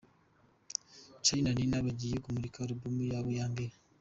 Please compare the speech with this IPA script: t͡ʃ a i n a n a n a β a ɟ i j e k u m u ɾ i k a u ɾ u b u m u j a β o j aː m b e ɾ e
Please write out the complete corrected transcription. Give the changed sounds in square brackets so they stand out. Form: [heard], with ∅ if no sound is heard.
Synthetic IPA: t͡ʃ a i n a n [i] n a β a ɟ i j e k u m u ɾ i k a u ɾ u b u m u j a β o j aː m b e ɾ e